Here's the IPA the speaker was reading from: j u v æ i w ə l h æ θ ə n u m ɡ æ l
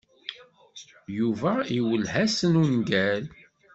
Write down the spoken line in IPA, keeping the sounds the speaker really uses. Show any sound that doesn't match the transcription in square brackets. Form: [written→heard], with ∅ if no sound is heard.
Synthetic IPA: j u v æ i w ə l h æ [θ→s] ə n u [m→n] ɡ æ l

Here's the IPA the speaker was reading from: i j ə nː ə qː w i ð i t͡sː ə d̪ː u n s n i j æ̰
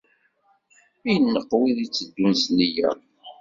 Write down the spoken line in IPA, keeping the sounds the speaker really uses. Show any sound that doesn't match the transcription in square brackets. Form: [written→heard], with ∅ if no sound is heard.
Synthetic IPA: i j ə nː ə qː w i ð i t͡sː ə d̪ː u n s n i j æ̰

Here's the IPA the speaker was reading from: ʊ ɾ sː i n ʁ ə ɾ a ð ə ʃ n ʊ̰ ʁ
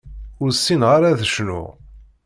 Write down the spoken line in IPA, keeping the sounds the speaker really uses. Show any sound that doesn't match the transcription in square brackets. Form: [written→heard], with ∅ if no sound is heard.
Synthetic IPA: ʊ ɾ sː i n ʁ [ə→a] ɾ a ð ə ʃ n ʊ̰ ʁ

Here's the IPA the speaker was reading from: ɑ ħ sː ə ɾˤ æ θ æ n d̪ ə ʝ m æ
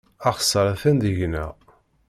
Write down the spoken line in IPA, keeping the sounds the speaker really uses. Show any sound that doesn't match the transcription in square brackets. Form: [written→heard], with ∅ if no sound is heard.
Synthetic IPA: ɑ [ħ→χ] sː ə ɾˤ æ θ æ n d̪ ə ʝ [m→n] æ

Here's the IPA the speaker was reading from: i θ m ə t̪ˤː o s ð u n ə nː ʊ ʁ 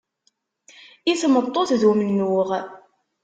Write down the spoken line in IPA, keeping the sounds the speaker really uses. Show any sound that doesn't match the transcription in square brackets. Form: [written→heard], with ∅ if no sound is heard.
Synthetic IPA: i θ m ə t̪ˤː o [s→θ] ð u [n→m] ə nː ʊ ʁ

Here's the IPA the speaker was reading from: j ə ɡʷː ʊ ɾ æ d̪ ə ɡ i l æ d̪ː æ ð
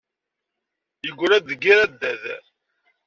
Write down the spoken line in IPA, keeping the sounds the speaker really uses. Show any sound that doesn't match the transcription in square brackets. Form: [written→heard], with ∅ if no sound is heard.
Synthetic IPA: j ə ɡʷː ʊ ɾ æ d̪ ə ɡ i [l→ɾ] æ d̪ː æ ð

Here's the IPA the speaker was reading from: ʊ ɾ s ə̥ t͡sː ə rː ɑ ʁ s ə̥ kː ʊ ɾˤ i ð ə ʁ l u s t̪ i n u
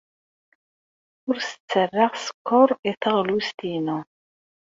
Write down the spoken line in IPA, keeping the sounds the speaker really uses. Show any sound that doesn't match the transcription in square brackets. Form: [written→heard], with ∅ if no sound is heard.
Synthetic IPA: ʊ ɾ s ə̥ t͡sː ə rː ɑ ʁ s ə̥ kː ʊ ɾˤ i [ð→θ] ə ʁ l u s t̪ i n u

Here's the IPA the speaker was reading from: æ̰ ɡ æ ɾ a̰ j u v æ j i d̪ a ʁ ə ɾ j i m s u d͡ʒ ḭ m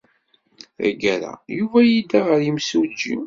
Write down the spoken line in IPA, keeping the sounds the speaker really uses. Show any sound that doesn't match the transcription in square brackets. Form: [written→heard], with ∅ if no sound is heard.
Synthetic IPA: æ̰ ɡ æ ɾ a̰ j u v æ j i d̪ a ʁ ə ɾ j i m s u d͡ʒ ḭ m

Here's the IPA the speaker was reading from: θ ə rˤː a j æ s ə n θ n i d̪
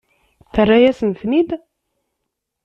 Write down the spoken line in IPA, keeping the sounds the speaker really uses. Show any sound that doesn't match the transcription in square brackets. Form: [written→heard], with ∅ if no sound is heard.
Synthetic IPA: θ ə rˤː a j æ s ə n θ n i d̪

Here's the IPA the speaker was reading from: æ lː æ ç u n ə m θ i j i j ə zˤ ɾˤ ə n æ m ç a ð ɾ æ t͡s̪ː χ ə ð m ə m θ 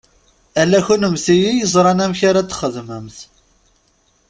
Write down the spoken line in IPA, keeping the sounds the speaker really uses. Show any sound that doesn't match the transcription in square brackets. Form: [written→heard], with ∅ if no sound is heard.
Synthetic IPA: æ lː æ ç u n ə m θ i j i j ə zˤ ɾˤ [ə→ɑ] n æ m ç a [ð→∅] ɾ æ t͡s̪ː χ ə ð m ə m θ

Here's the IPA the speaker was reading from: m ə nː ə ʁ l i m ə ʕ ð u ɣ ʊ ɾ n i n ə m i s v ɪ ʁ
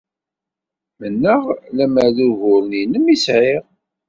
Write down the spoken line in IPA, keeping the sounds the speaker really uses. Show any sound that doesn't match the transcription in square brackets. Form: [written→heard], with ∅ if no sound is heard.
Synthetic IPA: m ə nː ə ʁ l [i→æ] m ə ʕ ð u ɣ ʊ ɾ n i n ə m i s [v→ʕ] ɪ ʁ

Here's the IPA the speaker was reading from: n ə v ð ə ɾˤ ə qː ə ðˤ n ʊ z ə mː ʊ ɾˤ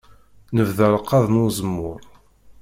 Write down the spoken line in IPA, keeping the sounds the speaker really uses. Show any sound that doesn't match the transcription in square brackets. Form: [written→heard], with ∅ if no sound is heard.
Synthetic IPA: n ə v ð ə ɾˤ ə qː [ə→ɑ] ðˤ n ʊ z ə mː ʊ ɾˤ

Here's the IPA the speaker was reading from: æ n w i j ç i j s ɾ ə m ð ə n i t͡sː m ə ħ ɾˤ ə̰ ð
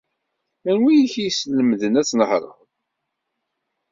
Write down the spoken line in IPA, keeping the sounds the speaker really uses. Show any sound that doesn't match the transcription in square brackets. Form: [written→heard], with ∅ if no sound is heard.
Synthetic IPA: æ n w i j ç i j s [ɾ→l] ə m ð ə n [i→æ] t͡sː [m→n] ə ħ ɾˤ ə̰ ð

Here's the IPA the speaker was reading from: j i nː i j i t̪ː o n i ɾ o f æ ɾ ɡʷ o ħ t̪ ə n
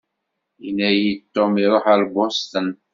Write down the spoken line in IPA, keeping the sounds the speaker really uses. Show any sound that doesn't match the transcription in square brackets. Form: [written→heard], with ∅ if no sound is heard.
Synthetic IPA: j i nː [i→æ] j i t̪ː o [n→m] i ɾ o [f→ħ] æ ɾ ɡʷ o [ħ→s] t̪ ə n

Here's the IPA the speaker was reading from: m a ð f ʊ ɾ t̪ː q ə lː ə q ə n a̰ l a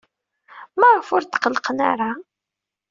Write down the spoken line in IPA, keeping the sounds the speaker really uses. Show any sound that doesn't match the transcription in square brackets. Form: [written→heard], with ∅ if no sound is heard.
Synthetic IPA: m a [ð→ʁ] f ʊ ɾ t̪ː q ə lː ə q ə n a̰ [l→ɾ] a

